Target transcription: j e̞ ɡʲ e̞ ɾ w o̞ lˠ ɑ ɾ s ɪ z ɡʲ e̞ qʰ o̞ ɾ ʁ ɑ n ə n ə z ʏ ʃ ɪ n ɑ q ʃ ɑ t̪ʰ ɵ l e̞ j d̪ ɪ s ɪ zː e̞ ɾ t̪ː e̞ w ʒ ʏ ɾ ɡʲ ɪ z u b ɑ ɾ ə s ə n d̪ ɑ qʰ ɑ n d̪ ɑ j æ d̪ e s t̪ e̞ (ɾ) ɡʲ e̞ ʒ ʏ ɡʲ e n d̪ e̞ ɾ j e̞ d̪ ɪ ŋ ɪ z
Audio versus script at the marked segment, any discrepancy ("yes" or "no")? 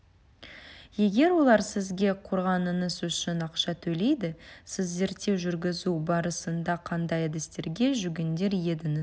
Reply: no